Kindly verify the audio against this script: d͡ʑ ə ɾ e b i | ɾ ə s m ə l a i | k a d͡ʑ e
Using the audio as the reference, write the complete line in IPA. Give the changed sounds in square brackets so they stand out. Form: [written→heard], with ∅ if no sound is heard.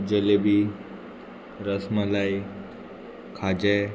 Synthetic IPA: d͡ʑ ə [ɾ→l] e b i | ɾ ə s m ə l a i | [k→kʰ] a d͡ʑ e